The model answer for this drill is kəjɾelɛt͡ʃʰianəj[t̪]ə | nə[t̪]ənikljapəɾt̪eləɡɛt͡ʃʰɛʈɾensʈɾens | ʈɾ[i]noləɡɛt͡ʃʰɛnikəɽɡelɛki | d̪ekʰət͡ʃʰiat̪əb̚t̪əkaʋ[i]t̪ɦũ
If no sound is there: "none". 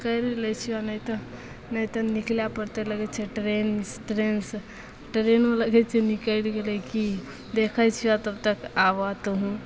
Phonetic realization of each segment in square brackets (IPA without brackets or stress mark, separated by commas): t̪, t̪, e, a